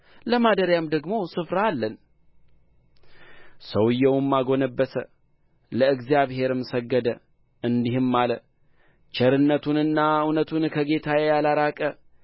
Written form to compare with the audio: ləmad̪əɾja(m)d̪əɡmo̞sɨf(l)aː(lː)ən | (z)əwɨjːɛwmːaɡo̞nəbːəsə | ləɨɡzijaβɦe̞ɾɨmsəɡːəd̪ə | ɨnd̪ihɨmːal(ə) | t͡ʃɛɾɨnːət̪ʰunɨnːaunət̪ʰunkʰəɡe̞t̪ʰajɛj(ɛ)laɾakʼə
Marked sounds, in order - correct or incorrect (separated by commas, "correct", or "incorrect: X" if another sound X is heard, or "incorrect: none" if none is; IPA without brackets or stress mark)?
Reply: correct, incorrect: ɾ, correct, incorrect: s, correct, incorrect: a